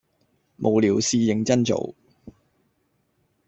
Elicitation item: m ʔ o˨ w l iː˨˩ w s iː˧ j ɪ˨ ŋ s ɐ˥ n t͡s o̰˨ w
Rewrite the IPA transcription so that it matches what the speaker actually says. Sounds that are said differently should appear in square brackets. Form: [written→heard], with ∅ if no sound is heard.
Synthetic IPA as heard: m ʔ o˨ w l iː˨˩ w s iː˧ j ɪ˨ ŋ [s→t͡s] ɐ˥ n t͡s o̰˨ w